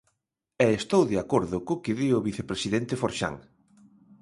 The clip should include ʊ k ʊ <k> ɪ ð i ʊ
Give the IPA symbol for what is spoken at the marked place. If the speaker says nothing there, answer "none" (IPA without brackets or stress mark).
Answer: k